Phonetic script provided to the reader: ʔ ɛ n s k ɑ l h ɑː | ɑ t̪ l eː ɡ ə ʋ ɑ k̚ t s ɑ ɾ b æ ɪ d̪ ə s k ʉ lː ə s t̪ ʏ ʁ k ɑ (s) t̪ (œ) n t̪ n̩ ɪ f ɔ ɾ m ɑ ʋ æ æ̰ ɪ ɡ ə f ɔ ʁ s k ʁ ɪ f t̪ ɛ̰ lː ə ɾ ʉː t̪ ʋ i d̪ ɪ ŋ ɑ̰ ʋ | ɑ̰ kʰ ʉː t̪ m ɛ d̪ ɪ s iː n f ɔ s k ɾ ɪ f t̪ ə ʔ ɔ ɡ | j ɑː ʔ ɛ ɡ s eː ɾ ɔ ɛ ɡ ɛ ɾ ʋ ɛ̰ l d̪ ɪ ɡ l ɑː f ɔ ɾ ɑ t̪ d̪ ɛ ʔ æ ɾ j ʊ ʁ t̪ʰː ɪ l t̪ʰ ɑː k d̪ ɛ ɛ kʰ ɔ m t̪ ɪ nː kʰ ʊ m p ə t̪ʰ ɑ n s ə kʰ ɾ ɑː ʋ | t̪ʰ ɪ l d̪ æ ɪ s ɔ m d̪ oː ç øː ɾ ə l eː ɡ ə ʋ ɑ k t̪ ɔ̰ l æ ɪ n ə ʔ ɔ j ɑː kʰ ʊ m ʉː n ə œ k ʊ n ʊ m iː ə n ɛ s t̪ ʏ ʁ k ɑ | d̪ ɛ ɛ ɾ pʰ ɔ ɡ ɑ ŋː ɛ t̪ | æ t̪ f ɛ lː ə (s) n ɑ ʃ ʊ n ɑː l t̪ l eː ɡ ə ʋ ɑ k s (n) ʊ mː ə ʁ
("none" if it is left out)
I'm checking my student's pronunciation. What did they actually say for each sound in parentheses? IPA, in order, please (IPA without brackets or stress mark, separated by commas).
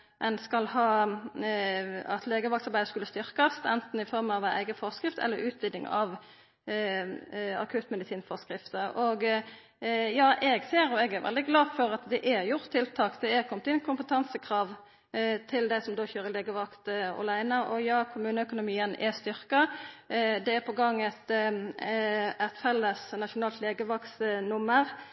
s, ɛ, s, n